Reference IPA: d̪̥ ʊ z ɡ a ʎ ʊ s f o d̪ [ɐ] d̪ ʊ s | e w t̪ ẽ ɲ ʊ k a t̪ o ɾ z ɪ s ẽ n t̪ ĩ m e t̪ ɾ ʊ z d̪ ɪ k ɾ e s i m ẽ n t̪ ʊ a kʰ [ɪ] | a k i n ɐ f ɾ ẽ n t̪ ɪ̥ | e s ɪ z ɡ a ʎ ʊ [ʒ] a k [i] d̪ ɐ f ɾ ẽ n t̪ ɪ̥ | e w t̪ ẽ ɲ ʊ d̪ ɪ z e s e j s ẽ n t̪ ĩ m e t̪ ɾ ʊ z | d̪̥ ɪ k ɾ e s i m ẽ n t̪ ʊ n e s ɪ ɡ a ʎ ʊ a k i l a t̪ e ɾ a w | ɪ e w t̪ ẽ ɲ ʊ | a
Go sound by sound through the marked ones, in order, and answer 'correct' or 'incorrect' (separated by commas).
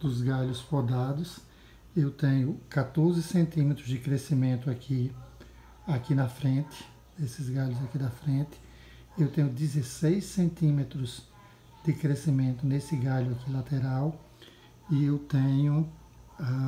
incorrect, incorrect, incorrect, correct